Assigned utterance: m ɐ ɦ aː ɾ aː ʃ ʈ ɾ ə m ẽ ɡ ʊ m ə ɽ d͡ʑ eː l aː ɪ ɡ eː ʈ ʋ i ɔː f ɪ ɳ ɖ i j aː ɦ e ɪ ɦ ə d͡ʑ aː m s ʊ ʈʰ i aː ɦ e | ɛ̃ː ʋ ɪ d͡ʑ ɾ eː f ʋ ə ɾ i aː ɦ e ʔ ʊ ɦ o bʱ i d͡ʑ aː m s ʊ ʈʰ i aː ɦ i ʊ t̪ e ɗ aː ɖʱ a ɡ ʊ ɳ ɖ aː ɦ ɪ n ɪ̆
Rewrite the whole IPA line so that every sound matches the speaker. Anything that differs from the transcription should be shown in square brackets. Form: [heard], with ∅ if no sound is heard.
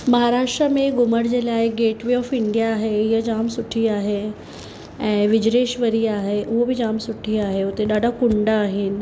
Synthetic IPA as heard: m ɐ ɦ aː ɾ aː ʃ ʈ ɾ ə m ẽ ɡ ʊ m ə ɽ d͡ʑ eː l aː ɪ ɡ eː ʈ ʋ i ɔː f ɪ ɳ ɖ i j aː ɦ e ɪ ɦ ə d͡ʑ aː m s ʊ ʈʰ i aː ɦ e | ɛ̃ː ʋ ɪ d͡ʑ ɾ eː [ʃ] ʋ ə ɾ i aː ɦ e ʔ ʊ ɦ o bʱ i d͡ʑ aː m s ʊ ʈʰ i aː ɦ [e] ʊ t̪ e ɗ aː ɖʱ a [k] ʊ ɳ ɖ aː ɦ ɪ n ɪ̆